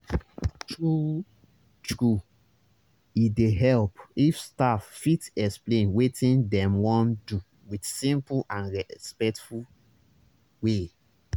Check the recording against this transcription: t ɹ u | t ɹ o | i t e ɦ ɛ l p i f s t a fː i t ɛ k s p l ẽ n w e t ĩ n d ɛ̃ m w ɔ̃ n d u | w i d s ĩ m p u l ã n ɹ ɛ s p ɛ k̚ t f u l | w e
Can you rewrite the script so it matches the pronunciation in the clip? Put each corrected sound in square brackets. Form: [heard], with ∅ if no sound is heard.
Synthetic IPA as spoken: t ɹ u | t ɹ [u] | i [d] e ɦ ɛ l p i f s t a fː i t ɛ k s p l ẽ n w e t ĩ n d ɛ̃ m w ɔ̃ n d u | w i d s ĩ m p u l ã n ɹ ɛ s p ɛ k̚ t f u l | w e